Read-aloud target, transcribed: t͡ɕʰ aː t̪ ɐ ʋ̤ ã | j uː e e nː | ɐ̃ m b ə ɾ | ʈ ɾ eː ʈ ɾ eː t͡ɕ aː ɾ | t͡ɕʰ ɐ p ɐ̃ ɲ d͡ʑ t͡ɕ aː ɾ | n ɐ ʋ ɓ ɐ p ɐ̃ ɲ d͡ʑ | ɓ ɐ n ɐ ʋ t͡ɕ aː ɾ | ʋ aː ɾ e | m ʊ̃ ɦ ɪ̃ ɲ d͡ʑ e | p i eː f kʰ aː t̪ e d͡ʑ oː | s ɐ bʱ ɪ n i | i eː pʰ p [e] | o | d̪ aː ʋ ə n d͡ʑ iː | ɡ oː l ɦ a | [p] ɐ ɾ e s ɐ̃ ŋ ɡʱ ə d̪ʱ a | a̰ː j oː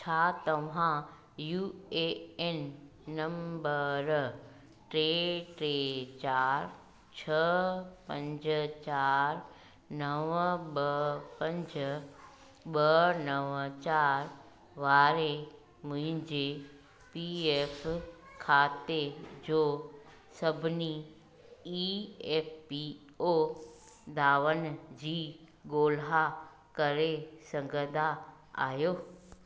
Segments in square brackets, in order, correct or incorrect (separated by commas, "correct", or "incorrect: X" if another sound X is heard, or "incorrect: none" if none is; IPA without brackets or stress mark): incorrect: i, incorrect: k